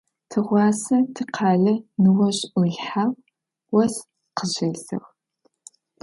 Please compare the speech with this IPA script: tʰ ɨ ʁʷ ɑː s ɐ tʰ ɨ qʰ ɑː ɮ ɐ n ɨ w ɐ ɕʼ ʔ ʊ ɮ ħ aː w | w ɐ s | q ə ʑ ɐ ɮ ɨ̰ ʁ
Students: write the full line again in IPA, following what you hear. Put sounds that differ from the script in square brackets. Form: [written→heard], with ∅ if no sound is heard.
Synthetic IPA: tʰ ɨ ʁʷ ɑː s ɐ tʰ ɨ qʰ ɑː ɮ ɐ n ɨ w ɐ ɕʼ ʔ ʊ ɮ ħ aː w | w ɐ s | q ə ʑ ɐ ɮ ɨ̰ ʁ